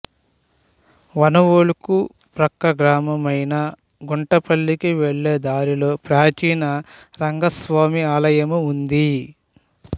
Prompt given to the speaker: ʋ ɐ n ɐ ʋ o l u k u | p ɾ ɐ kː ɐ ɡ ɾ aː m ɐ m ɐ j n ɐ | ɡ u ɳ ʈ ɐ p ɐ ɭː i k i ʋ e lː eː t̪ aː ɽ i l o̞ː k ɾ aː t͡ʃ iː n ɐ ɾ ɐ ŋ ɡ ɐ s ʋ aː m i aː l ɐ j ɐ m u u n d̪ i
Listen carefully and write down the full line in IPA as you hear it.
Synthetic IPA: ʋ ɐ n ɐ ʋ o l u k u | p ɾ ɐ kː ɐ ɡ ɾ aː m ɐ m ɐ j n ɐ | ɡ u ɳ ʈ ɐ p ɐ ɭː i k i ʋ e ɭː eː d̪ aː ɾ i l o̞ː p ɾ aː t͡ʃ iː n ɐ ɾ ɐ ŋ ɡ ɐ s ʋ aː m i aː l ɐ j ɐ m u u n d̪ i